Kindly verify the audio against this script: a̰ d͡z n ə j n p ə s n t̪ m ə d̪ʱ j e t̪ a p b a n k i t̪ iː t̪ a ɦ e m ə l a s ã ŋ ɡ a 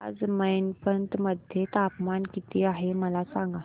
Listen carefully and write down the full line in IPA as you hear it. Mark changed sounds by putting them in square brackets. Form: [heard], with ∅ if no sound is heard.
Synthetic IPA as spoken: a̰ d͡z [m] ə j n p ə [∅] n t̪ m ə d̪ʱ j e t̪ a p [m] a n k i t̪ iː [∅] a ɦ e m ə l a s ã ŋ ɡ a